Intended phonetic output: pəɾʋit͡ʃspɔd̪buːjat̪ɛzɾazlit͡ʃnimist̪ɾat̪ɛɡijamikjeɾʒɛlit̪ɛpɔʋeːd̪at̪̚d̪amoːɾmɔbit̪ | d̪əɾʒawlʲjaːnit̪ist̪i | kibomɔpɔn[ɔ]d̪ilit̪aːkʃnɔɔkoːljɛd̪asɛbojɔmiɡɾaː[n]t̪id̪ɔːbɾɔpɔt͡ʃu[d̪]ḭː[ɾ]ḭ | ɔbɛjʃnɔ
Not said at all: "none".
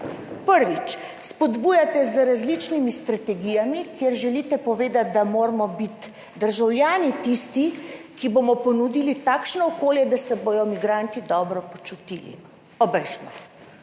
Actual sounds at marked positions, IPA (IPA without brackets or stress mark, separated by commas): u, n, t̪, l